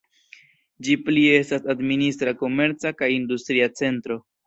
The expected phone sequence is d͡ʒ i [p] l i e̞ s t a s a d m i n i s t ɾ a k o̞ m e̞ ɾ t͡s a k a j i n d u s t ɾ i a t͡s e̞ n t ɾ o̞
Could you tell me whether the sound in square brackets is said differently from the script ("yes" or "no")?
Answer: no